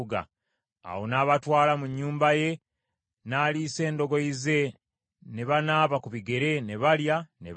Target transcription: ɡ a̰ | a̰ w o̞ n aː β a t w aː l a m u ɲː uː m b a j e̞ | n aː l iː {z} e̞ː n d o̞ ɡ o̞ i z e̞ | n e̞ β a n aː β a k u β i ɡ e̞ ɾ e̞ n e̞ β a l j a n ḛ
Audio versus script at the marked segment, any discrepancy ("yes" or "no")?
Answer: yes